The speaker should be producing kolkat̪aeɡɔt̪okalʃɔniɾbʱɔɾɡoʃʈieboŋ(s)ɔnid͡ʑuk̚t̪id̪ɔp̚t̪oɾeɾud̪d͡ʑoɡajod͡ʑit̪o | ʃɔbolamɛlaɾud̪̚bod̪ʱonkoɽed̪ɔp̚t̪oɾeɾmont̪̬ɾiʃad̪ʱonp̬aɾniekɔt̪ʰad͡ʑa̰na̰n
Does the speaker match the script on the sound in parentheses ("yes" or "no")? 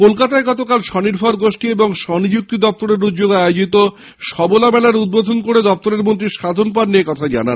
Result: no